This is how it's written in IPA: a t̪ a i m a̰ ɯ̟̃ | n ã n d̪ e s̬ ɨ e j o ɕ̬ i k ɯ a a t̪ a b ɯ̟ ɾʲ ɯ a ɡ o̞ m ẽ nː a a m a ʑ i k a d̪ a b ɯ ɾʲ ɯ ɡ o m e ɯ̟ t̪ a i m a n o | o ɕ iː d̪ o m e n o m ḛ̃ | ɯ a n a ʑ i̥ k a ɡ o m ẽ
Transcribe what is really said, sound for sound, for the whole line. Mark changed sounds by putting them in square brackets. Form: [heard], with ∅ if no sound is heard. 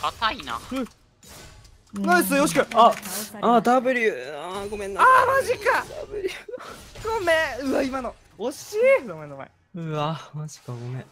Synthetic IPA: a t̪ a i [n] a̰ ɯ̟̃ | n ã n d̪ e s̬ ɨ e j o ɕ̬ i k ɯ a a [d̪] a b ɯ̟ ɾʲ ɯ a ɡ o̞ m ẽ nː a a m a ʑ i k a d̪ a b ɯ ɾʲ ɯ ɡ o m e ɯ̟ [∅] a i m a n o | o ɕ iː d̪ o m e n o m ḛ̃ | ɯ a [m] a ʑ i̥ k a ɡ o m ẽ